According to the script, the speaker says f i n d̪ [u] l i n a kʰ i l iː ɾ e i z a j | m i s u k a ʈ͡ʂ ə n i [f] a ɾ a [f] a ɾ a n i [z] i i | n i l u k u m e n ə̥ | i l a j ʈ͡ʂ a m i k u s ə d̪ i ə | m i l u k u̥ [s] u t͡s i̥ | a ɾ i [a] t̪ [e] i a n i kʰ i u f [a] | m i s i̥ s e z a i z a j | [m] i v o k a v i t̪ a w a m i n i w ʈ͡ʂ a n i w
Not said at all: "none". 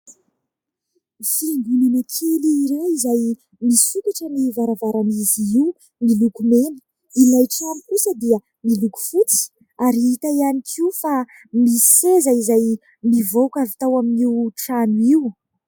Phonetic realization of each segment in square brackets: u, v, v, z, f, i, a, a, m

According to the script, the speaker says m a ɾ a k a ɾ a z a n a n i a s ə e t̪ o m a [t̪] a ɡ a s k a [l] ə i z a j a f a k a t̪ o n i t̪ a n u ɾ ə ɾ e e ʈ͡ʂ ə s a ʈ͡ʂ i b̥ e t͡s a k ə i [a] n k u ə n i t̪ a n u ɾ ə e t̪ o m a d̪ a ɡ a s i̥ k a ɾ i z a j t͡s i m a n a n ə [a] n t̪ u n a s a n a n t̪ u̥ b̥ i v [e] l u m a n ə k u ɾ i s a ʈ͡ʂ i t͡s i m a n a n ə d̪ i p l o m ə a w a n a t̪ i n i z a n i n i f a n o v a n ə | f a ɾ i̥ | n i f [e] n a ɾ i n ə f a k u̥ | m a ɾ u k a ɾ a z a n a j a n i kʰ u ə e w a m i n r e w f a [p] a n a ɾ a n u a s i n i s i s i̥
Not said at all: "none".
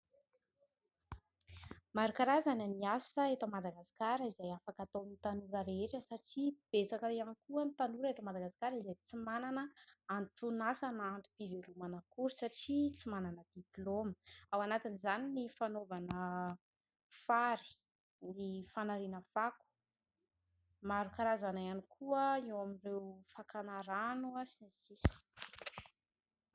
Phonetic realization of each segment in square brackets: d̪, ɾ, a, a, e, a, k

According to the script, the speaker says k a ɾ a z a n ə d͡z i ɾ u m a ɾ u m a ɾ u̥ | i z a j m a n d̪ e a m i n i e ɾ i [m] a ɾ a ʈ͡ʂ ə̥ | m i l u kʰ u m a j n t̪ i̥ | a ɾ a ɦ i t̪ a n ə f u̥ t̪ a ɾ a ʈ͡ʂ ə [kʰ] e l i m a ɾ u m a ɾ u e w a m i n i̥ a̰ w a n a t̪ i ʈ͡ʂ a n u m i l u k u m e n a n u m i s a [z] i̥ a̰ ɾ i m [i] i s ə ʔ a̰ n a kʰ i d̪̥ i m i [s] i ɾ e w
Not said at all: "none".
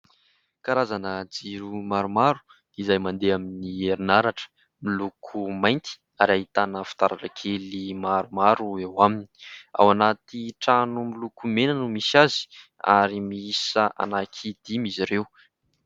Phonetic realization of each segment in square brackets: n, kʰ, z, i, z

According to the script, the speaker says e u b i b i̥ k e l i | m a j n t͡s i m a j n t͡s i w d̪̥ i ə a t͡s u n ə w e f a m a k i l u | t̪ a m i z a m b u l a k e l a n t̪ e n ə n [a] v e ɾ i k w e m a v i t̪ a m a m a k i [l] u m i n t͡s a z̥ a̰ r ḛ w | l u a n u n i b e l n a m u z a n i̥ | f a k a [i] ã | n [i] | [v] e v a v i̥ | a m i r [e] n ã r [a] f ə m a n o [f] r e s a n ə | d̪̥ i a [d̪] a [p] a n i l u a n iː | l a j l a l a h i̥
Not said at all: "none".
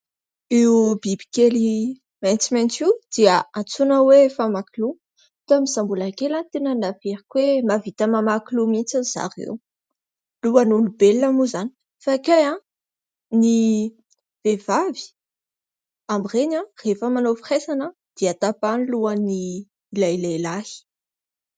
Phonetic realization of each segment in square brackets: a, l, j, i, v, e, e, f, t̪, p

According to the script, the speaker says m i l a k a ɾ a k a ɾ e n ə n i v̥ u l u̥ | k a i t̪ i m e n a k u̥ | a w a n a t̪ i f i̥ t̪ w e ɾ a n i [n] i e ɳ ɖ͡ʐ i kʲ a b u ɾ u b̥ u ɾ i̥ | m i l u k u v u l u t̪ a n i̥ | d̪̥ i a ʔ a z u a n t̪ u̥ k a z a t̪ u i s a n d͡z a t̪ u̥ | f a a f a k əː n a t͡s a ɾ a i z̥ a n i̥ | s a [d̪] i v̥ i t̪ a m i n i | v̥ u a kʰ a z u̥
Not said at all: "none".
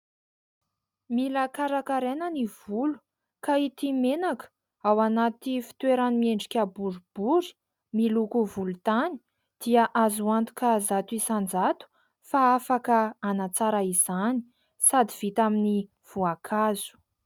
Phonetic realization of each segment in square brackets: m, d̪

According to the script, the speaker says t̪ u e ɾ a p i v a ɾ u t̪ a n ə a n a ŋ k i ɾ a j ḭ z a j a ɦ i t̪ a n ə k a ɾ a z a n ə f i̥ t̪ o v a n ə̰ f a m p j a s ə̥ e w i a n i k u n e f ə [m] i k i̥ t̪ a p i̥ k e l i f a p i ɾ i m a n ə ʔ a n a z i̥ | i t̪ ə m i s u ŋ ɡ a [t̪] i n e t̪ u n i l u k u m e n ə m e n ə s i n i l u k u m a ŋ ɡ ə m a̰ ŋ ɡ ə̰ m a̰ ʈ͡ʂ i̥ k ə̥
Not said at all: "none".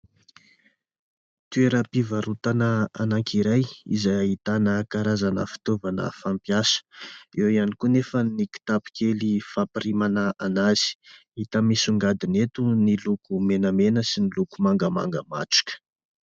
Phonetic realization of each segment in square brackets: n, d̪

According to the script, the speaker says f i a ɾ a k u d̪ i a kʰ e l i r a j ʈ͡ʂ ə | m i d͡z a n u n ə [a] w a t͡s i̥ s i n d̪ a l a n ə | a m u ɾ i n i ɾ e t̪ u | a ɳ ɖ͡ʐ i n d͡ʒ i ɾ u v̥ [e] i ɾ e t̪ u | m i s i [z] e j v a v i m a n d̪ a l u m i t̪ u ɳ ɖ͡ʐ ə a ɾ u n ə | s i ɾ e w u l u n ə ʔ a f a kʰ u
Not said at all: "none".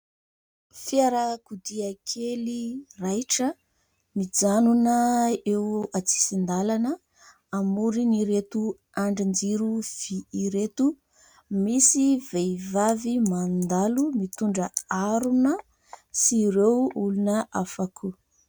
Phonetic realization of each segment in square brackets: e, i, v

